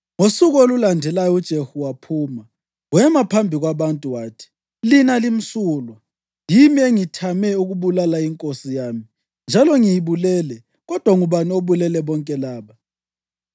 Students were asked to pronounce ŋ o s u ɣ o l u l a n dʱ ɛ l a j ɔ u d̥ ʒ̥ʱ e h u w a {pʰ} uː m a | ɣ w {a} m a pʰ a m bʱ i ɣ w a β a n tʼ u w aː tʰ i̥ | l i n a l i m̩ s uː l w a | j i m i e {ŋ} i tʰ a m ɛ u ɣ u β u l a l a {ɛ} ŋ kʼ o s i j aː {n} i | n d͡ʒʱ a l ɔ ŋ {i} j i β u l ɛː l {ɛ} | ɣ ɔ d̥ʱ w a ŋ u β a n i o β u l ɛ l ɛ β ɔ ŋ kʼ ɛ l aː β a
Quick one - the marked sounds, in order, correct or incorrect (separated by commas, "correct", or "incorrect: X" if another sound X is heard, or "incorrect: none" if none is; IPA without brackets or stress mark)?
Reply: correct, incorrect: ɛ, correct, incorrect: i, incorrect: m, correct, correct